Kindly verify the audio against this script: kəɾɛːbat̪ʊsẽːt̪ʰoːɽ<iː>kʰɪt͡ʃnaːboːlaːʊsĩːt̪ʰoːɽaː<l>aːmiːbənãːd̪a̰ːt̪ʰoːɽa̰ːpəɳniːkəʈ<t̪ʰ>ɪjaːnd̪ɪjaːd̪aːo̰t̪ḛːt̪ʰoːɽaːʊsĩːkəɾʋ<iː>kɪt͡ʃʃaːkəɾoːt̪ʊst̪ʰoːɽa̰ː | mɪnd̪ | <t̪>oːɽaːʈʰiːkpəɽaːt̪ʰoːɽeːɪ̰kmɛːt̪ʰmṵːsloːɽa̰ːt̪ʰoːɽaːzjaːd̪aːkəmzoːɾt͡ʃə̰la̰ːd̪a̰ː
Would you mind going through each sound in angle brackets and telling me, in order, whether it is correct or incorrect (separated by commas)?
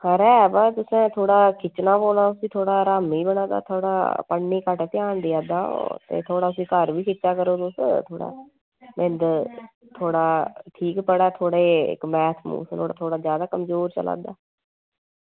incorrect, incorrect, incorrect, correct, incorrect